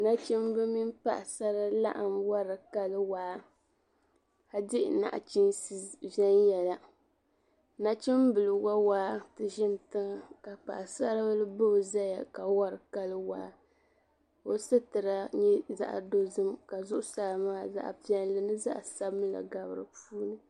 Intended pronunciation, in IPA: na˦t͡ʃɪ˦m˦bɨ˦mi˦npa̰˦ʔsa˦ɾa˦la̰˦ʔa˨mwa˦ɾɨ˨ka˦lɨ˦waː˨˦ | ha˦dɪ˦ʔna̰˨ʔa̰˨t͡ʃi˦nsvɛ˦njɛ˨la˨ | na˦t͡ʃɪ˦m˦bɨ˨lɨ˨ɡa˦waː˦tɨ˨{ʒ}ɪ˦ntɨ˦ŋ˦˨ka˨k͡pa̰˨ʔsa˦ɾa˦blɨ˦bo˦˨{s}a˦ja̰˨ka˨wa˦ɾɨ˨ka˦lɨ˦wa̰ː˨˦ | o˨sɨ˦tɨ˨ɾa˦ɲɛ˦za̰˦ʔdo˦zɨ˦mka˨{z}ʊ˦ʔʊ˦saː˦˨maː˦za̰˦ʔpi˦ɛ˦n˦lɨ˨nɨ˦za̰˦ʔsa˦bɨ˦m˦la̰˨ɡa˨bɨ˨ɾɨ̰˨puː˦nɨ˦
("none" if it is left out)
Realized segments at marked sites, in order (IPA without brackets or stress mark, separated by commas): ʒ, z, z